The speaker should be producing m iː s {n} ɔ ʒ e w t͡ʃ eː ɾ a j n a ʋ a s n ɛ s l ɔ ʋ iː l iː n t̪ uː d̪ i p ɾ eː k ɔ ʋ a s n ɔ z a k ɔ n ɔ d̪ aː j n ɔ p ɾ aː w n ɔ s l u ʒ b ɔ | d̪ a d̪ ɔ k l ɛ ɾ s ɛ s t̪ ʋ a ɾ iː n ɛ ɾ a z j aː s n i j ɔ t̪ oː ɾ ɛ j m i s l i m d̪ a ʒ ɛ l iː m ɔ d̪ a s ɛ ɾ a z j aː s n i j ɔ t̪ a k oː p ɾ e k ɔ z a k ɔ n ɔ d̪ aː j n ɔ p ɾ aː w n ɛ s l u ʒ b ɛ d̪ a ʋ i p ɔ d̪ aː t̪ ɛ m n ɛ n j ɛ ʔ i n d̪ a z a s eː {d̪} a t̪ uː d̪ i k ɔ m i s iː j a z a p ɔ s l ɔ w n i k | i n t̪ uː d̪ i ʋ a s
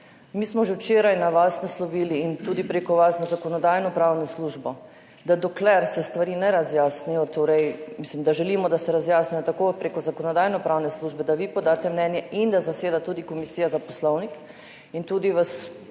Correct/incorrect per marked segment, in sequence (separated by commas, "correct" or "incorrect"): incorrect, correct